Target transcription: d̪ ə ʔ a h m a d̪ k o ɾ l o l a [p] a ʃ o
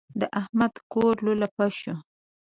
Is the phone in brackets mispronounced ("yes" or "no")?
no